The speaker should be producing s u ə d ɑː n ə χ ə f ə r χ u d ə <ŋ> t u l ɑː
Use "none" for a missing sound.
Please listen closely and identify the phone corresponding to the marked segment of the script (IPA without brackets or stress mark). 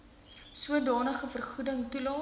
ŋ